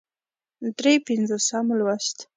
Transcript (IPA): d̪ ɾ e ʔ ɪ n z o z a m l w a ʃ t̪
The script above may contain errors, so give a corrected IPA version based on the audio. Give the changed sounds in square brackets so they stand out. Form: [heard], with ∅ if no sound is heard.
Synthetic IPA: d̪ ɾ e [p] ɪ n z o [s] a m l w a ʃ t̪